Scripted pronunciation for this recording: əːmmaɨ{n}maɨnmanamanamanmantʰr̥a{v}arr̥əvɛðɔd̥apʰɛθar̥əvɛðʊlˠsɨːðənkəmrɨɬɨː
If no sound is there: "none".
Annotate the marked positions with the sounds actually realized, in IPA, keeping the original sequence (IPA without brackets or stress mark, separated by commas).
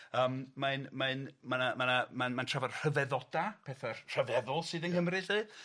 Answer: n, v